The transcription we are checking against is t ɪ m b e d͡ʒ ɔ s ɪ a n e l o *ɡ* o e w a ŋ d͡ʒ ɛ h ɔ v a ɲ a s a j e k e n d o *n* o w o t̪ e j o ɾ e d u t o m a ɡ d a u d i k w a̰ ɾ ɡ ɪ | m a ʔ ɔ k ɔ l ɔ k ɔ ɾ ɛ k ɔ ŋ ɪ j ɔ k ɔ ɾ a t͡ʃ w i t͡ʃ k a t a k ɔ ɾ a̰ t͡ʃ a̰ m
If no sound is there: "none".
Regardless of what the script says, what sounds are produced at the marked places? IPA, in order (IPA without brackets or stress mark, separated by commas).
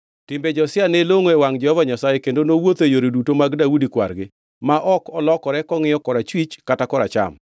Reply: ŋ, n